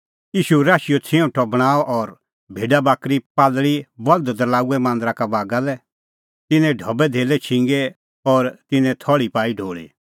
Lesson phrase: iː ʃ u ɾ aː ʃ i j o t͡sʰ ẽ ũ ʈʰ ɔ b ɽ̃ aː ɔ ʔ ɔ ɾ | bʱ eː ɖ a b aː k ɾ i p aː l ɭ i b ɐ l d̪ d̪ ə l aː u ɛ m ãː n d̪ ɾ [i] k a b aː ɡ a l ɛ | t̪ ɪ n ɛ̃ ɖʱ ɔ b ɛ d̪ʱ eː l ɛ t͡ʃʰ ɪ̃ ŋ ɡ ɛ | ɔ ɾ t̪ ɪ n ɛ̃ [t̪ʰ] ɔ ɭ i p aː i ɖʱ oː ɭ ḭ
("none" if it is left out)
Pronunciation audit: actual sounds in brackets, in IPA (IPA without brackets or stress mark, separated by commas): a, t̪ʰ